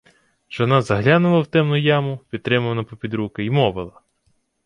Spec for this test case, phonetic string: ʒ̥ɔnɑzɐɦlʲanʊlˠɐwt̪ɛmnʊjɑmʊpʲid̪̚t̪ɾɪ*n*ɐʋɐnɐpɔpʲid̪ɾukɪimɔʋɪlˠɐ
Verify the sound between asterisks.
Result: incorrect: m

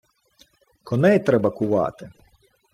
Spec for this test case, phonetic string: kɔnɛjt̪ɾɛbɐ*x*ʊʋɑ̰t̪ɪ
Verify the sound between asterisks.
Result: incorrect: k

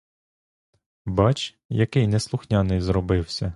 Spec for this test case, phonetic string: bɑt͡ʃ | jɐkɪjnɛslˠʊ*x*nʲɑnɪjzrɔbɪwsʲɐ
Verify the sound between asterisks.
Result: correct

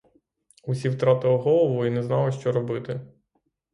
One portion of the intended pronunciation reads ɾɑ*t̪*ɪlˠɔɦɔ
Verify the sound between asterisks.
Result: correct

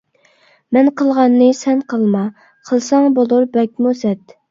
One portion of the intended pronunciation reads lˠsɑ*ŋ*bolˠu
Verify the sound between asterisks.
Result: correct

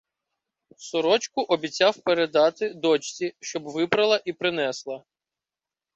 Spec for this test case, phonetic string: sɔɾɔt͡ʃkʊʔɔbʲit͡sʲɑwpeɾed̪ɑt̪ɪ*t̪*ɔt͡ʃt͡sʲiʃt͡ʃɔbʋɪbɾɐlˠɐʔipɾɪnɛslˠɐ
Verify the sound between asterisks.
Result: incorrect: d̪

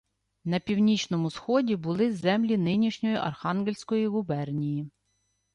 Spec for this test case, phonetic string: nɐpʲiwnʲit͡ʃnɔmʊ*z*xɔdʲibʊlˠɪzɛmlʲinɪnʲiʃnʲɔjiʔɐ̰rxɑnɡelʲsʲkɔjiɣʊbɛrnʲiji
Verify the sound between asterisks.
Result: incorrect: s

